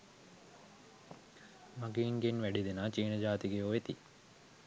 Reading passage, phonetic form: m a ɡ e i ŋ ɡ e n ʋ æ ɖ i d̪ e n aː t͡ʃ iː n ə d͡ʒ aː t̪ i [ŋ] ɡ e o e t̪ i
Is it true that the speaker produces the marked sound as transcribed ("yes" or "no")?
no